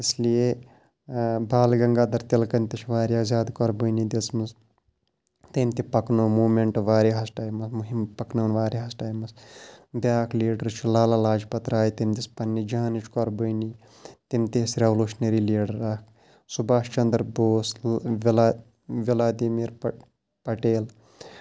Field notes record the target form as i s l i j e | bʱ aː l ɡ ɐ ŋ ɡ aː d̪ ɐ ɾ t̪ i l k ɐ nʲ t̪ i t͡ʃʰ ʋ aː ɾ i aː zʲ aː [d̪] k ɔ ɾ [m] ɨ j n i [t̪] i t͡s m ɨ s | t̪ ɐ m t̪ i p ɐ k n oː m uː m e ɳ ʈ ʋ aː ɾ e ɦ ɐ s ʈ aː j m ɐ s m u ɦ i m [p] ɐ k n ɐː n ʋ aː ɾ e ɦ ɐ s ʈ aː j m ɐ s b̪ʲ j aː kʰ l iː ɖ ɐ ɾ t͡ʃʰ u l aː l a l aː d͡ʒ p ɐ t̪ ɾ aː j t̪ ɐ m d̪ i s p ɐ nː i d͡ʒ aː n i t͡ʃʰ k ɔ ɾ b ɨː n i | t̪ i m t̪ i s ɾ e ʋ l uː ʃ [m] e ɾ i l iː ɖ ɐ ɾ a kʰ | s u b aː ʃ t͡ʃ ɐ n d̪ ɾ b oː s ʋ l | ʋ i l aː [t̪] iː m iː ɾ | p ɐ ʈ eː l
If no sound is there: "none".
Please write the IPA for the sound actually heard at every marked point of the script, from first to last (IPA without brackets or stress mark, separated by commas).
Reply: d̪, b, d̪, p, n, d̪